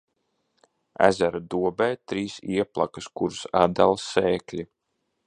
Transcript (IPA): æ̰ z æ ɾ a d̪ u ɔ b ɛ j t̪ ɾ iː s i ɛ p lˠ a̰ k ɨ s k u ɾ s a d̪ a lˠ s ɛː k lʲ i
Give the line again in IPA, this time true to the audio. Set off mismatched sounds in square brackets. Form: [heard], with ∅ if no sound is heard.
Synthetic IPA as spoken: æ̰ z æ ɾ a d̪ u ɔ b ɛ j t̪ ɾ iː s i ɛ p lˠ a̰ k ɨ s k u ɾ s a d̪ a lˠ s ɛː k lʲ i